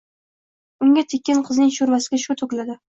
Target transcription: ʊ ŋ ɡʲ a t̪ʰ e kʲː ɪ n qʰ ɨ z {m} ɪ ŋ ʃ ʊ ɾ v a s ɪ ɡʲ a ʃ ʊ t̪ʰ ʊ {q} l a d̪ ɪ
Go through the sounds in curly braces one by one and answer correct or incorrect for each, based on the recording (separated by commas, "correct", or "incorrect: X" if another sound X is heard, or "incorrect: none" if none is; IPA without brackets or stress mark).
incorrect: n, incorrect: k